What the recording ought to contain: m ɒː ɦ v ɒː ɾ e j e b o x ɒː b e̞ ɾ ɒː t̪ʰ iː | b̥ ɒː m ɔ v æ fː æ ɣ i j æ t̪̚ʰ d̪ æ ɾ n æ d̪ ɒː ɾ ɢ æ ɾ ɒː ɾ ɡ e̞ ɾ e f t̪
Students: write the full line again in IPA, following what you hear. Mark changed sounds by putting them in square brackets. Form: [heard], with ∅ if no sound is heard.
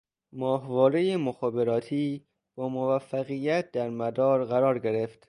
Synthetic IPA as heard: m ɒː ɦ v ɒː ɾ e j e [m] o x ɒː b e̞ ɾ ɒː t̪ʰ iː | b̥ ɒː m [o] v æ fː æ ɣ i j æ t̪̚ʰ d̪ æ ɾ [m] æ d̪ ɒː ɾ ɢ æ ɾ ɒː ɾ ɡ e̞ ɾ e f t̪